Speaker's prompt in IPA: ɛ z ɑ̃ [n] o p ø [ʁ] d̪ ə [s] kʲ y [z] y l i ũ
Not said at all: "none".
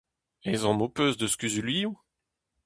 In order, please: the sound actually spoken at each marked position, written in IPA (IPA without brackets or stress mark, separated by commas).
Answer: m, z, s, z